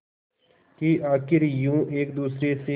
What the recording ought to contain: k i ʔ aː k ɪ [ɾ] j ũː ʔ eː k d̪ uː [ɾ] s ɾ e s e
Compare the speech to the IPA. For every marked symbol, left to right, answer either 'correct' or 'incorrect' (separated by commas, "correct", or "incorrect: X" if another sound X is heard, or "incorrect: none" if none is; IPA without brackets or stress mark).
correct, incorrect: none